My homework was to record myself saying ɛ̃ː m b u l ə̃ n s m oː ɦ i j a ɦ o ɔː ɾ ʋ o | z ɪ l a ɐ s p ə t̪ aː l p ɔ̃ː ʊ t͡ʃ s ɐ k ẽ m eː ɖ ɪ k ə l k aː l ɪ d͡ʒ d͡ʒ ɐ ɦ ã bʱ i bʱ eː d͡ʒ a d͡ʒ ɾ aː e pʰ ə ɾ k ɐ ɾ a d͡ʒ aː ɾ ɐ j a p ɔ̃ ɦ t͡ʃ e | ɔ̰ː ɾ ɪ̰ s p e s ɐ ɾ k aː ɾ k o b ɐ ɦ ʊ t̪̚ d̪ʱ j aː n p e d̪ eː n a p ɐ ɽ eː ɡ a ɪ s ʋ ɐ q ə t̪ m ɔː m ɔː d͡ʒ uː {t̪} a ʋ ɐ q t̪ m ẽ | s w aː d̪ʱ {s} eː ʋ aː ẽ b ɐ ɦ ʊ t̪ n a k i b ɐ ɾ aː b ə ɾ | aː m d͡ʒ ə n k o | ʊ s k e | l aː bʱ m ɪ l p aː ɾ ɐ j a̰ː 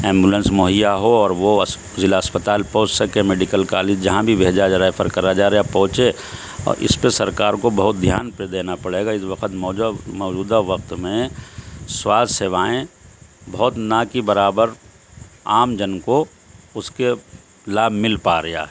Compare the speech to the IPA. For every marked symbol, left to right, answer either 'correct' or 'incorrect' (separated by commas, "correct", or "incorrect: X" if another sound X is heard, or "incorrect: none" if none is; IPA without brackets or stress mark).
incorrect: d̪, correct